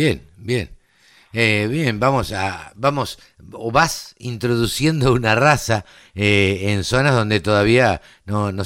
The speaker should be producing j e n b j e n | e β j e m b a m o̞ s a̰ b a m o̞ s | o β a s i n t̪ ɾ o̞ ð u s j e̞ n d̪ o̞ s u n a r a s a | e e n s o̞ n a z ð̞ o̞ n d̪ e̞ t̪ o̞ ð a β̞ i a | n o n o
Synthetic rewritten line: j e n b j e n | e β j e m b a m o̞ s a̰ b a m o̞ s | o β a s i n t̪ ɾ o̞ ð u s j e̞ n d̪ o̞ u n a r a s a | e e n s o̞ n a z ð̞ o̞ n d̪ e̞ t̪ o̞ ð a β̞ i a | n o n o